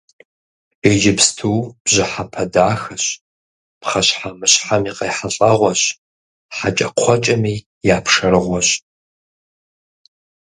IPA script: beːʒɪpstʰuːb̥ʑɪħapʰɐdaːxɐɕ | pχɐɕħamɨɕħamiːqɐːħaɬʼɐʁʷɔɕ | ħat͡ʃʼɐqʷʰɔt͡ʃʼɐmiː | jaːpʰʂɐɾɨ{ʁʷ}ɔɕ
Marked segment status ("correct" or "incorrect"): correct